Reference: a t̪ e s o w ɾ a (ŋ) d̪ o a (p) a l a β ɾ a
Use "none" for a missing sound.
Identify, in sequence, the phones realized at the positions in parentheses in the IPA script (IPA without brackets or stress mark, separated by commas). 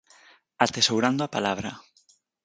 n, p